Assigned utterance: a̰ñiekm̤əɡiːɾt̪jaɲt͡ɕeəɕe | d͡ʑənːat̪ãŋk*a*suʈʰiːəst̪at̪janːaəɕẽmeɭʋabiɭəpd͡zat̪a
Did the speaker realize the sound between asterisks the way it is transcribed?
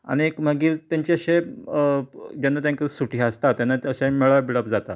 no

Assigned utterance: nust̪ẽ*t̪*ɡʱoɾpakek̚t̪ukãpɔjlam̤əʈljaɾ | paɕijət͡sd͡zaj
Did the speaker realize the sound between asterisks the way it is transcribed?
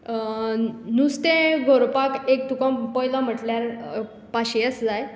no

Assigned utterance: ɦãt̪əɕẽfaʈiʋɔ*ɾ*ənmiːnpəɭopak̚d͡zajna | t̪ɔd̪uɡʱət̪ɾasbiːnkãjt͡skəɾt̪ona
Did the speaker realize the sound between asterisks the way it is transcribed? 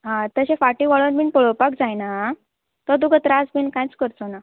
no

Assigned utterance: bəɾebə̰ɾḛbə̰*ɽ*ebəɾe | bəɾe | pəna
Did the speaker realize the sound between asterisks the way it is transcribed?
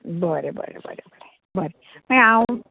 no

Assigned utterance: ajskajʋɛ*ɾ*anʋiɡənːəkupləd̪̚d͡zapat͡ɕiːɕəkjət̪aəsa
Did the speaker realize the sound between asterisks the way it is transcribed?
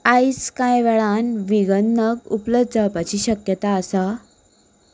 no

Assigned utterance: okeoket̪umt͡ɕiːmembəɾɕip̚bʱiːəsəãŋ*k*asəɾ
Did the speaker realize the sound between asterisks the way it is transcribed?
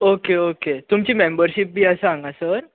no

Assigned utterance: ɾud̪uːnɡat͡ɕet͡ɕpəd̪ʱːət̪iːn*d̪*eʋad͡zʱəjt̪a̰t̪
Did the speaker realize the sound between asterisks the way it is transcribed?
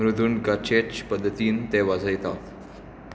no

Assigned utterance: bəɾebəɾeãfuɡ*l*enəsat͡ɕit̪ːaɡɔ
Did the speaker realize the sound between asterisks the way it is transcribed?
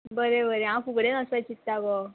no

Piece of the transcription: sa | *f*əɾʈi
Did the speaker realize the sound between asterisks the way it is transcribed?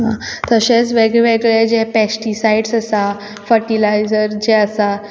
yes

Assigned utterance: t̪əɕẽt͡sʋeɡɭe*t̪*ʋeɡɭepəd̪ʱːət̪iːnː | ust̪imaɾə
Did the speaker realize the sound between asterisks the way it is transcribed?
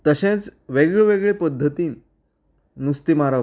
no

